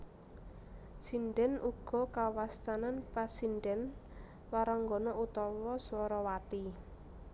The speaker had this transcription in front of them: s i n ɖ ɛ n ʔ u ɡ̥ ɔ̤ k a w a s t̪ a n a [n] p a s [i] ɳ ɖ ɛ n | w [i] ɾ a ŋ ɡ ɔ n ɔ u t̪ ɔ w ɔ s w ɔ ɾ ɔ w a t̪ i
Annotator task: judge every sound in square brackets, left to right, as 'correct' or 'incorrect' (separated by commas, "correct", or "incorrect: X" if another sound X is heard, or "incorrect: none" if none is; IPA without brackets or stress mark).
correct, correct, incorrect: a